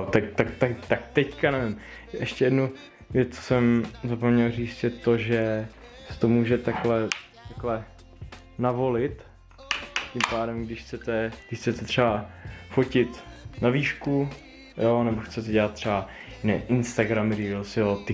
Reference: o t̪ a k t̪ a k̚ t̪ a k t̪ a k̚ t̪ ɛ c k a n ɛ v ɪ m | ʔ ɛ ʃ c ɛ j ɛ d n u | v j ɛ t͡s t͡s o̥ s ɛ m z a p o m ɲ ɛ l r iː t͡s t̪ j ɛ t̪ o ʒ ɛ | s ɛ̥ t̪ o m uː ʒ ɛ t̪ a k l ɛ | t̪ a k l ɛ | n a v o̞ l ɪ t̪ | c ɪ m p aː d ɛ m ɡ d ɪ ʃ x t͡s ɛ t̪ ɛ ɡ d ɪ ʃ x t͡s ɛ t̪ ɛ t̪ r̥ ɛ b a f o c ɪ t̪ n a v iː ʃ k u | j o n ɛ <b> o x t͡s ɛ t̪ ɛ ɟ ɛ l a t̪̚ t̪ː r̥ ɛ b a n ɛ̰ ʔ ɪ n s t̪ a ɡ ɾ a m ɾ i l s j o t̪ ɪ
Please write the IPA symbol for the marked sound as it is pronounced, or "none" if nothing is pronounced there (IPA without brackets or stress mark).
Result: b